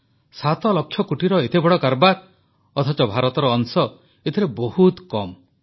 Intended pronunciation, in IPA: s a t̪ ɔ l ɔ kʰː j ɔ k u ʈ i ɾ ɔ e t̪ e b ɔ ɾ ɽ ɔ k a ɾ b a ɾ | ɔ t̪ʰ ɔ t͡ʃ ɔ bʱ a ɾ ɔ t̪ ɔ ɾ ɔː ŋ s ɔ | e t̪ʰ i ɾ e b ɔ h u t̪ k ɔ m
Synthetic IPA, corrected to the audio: s a t̪ ɔ l ɔ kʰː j ɔ k u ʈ i ɾ ɔ e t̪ e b ɔ ɽ ɔ k a ɾ b a ɾ | ɔ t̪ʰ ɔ t͡ʃ ɔ bʱ a ɾ ɔ t̪ ɔ ɾ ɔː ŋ s ɔ | e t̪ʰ i ɾ e b ɔ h u t̪ k ɔ m